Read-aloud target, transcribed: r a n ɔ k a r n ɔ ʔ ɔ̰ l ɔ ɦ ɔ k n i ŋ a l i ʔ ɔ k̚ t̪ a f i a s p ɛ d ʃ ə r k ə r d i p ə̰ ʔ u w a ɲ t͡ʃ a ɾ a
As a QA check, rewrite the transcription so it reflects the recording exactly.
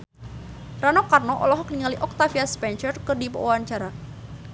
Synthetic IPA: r a n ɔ k a r n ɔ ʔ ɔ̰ l ɔ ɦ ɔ k n i ŋ a l i ʔ ɔ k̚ t̪ a f i a s p ɛ n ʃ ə r k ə r d i p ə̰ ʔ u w a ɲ t͡ʃ a ɾ a